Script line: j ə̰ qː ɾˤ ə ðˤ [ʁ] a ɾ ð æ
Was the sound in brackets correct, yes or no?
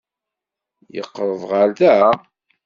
yes